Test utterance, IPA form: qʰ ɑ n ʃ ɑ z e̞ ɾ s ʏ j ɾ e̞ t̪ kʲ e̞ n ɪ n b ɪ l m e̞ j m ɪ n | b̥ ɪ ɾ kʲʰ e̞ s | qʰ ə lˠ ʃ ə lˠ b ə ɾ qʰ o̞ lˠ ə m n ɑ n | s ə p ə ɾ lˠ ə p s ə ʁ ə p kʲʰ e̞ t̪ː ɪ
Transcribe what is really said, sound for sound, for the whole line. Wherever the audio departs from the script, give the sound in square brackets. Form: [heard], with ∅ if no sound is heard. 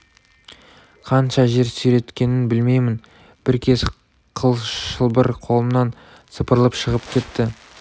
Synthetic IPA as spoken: qʰ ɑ n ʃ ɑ [ʒ] e̞ ɾ s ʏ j ɾ e̞ t̪ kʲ e̞ n ɪ n b ɪ l m e̞ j m ɪ n | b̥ ɪ ɾ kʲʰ e̞ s | qʰ ə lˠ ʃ ə lˠ b ə ɾ qʰ o̞ lˠ ə m n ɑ n | s ə p ə ɾ lˠ ə p [ʃ] ə ʁ ə p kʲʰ e̞ t̪ː ɪ